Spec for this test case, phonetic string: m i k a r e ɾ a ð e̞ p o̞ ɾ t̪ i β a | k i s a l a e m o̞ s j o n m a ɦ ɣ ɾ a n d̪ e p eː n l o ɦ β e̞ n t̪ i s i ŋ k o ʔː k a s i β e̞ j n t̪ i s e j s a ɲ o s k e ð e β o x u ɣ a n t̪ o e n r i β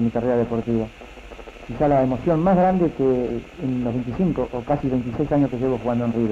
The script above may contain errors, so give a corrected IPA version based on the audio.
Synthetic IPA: m i k a r e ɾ a ð e̞ p o̞ ɾ t̪ i β a | k i s a l a e m o̞ s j o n m a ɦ ɣ ɾ a n d̪ e k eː n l o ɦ β e̞ n t̪ i s i ŋ k o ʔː k a s i β e̞ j n t̪ i s e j s a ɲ o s k e ʒ e β o x u ɣ a n d̪ o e n r i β